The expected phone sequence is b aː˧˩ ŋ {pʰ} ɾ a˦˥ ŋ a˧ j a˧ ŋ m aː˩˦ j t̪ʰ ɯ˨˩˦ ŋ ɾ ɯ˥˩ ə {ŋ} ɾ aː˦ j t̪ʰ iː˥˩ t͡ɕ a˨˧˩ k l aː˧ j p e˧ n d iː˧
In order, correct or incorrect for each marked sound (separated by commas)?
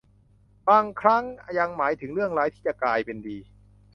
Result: incorrect, correct